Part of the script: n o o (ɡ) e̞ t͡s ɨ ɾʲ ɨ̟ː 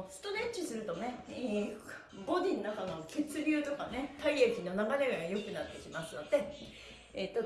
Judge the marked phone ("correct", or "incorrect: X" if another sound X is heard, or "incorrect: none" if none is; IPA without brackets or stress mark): incorrect: k